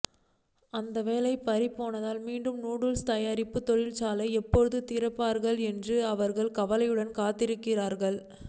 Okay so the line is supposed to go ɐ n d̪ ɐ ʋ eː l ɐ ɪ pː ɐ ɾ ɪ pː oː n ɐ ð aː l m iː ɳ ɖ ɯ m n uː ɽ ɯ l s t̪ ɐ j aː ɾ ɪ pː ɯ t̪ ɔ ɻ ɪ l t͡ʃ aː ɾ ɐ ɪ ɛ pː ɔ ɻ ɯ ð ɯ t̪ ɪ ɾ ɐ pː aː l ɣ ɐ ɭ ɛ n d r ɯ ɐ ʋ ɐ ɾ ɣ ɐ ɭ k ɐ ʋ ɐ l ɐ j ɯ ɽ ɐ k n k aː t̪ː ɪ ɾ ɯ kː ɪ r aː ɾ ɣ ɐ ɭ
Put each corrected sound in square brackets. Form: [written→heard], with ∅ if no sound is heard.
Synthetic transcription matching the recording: ɐ n d̪ ɐ ʋ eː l ɐ ɪ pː ɐ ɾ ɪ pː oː n ɐ ð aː l m iː ɳ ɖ ɯ m n uː ɽ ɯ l s t̪ ɐ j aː ɾ ɪ pː ɯ t̪ ɔ ɻ ɪ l t͡ʃ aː [ɾ→l] ɐ ɪ ɛ pː ɔ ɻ ɯ ð ɯ t̪ ɪ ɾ ɐ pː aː [l→ɾ] ɣ ɐ ɭ ɛ n d r ɯ ɐ ʋ ɐ ɾ ɣ ɐ ɭ k ɐ ʋ ɐ l ɐ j ɯ ɽ ɐ [k→∅] n k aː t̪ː ɪ ɾ ɯ kː ɪ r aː ɾ ɣ ɐ ɭ